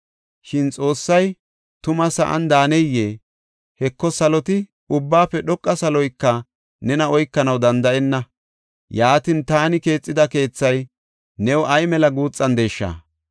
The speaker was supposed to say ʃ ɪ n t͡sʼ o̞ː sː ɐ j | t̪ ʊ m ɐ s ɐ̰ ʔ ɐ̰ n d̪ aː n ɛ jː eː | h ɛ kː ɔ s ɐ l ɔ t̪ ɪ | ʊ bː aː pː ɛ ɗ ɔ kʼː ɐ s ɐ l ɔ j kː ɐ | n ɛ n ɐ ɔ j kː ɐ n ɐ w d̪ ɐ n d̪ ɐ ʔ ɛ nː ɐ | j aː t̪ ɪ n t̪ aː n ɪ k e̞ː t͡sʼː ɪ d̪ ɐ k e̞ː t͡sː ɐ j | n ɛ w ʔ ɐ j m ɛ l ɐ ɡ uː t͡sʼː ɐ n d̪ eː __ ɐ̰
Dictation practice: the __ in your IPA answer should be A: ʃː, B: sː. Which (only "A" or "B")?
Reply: A